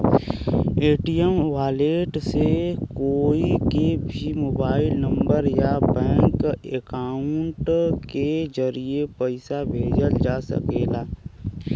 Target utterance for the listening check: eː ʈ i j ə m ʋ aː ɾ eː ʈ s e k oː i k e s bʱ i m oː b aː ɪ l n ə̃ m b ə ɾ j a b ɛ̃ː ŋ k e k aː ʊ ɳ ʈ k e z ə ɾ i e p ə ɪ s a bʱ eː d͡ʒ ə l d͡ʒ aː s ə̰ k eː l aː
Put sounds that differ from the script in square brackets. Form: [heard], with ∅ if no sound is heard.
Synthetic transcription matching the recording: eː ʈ i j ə m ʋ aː [l] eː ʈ s e k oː i k e [∅] bʱ i m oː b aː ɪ l n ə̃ m b ə ɾ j a b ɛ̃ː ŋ k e k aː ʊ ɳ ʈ k e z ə ɾ i e p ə ɪ s a bʱ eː d͡ʒ ə l d͡ʒ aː s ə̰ k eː l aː

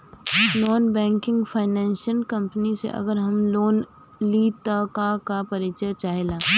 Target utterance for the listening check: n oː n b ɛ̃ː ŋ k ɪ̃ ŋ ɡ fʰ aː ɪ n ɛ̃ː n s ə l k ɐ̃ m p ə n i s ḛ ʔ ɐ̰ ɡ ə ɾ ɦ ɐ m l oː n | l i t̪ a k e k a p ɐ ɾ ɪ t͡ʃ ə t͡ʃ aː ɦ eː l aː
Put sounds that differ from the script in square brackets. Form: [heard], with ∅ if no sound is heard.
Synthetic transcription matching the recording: n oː n b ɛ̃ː ŋ k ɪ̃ ŋ ɡ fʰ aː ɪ n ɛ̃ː n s ə l k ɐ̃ m p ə n i s ḛ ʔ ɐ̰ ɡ ə ɾ ɦ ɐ m l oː n | l i t̪ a k [a] k a p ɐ ɾ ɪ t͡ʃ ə t͡ʃ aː ɦ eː l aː

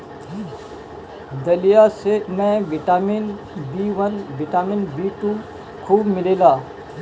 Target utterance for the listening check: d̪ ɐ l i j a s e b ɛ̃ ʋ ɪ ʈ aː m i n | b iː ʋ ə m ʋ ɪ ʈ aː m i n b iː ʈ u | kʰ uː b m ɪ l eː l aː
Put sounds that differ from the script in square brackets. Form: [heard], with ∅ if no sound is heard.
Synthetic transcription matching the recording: d̪ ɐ l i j a s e [m] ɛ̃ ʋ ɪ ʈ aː m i n | b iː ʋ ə [n] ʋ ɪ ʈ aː m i n b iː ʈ u | kʰ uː b m ɪ l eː l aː

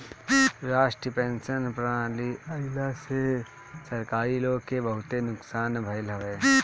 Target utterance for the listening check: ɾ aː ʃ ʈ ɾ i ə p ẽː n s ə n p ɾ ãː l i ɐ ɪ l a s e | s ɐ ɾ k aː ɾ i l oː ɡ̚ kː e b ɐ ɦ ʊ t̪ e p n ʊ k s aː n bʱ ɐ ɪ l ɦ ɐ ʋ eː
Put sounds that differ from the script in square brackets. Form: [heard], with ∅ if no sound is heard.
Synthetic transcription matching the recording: ɾ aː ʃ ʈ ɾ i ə p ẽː n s ə n p ɾ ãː l i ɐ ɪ l a s e | s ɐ ɾ k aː ɾ i l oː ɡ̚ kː e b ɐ ɦ ʊ t̪ e [∅] n ʊ k s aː n bʱ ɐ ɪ l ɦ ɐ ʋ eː

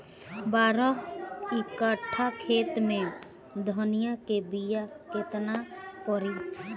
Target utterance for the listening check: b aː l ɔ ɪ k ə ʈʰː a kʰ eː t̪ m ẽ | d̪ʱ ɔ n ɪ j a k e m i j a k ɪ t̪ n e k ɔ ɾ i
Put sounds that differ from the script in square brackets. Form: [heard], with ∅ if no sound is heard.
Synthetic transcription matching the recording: b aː [ɾ] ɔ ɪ k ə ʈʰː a kʰ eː t̪ m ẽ | d̪ʱ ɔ n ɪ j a k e [b] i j a k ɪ t̪ n [a] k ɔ ɾ i

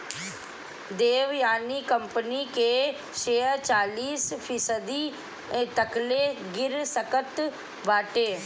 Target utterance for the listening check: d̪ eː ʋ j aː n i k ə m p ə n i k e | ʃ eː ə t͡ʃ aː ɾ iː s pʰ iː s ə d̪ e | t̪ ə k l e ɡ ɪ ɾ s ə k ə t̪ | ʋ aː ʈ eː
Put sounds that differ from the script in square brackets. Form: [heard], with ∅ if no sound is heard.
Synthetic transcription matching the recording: d̪ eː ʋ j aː n i k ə m p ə n i k e | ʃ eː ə t͡ʃ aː [l] iː s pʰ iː s ə d̪ [i] | t̪ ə k l e ɡ ɪ ɾ s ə k ə t̪ | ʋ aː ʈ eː

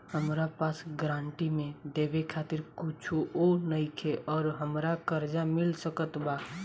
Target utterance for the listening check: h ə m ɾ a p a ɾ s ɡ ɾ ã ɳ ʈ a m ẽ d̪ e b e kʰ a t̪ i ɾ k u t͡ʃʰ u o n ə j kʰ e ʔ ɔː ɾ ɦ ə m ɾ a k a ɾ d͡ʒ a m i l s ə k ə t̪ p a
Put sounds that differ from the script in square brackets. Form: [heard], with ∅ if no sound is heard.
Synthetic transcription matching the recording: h ə m ɾ a p a [∅] s ɡ ɾ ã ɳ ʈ [i] m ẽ d̪ e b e kʰ a t̪ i ɾ k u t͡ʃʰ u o n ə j kʰ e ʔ ɔː ɾ ɦ ə m ɾ a k [ə] ɾ d͡ʒ a m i l s ə k ə t̪ [b] a

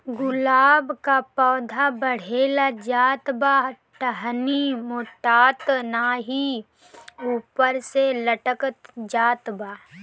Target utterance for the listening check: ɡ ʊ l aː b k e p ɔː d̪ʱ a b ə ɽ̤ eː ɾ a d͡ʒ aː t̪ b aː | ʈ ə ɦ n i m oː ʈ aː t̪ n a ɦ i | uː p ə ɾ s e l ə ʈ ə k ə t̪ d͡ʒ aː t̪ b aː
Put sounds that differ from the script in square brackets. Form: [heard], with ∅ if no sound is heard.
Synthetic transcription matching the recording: ɡ ʊ l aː b k [a] p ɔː d̪ʱ a b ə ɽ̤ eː [l] a d͡ʒ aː t̪ b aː | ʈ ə ɦ n i m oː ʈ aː t̪ n a ɦ i | uː p ə ɾ s e l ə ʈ ə k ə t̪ d͡ʒ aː t̪ b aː

